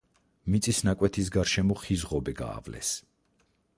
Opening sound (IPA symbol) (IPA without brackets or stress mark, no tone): m